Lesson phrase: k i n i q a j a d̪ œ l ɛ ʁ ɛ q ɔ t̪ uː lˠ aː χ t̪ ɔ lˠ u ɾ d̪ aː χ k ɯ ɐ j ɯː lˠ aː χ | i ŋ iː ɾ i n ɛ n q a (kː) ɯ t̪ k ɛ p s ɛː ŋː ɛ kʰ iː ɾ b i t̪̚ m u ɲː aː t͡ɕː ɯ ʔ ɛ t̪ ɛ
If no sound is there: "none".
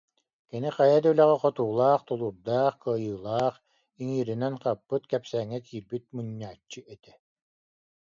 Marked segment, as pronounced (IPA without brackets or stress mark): pː